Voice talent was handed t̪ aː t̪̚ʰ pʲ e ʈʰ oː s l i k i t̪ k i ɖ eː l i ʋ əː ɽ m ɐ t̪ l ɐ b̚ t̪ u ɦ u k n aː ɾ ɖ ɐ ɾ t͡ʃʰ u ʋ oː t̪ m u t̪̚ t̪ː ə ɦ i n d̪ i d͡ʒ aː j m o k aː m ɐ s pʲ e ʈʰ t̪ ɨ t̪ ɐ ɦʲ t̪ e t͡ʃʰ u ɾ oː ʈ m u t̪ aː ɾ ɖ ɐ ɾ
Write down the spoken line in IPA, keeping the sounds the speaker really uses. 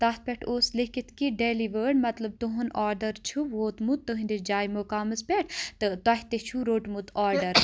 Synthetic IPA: t̪ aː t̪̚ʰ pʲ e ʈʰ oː s l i k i t̪ k i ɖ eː l i ʋ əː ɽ m ɐ t̪ l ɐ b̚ t̪ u ɦ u n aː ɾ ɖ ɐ ɾ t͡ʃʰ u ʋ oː t̪ m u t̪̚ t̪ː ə ɦ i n d̪ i d͡ʒ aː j m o k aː m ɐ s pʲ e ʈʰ t̪ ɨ t̪ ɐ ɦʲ t̪ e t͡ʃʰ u ɾ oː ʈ m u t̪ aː ɾ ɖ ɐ ɾ